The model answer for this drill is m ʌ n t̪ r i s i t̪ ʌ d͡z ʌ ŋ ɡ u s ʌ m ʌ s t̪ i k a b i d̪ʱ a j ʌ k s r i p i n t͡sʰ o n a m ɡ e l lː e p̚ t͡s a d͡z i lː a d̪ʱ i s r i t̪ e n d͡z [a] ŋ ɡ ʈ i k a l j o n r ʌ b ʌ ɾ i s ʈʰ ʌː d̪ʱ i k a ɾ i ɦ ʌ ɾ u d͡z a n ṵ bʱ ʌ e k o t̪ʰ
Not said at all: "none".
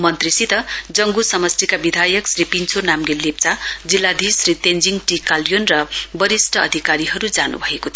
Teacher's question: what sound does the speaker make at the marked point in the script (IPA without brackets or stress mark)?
i